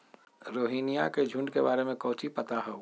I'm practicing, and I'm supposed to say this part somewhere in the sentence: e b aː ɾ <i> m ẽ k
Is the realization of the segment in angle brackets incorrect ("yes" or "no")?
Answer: yes